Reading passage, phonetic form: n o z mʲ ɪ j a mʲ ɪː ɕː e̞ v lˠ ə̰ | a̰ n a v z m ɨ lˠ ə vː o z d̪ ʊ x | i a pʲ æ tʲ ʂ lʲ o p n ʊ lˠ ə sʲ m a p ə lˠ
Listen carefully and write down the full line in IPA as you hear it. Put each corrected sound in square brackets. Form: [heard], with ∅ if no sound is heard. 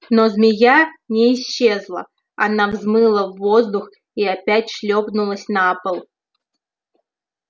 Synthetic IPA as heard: n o z mʲ ɪ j a [nʲ] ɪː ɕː e̞ [z] lˠ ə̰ | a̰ n a v z m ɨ lˠ ə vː o z d̪ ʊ x | i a pʲ æ tʲ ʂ lʲ o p n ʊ lˠ ə sʲ [n] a p ə lˠ